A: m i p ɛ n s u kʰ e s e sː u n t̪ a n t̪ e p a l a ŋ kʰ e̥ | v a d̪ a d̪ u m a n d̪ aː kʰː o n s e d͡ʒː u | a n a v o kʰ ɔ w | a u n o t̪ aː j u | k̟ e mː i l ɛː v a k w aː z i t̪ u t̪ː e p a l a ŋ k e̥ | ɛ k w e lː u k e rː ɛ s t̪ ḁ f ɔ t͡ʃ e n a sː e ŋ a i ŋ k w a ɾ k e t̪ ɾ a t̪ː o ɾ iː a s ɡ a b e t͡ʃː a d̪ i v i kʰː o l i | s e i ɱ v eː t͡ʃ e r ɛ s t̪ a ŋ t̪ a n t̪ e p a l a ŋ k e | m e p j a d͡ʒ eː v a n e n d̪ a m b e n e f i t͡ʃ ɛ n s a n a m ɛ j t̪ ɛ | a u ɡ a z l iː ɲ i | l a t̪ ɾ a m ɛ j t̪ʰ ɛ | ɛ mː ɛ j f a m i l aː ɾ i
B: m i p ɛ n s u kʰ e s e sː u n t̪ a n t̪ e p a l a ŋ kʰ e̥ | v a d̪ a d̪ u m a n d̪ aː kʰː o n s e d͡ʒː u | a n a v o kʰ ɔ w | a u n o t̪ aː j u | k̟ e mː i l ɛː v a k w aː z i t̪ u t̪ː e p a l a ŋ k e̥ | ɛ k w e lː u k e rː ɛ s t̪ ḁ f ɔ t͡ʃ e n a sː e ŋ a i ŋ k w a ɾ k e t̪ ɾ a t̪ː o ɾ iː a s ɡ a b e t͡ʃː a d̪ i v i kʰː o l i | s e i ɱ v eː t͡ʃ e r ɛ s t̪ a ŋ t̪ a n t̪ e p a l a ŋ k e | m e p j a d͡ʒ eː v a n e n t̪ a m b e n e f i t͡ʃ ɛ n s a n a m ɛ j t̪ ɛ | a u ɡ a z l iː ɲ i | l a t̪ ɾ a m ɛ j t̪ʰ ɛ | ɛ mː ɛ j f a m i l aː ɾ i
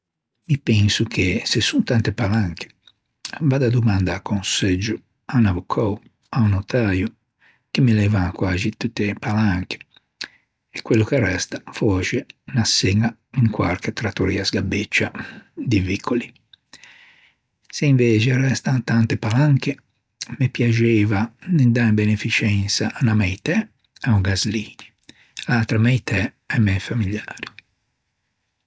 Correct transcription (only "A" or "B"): A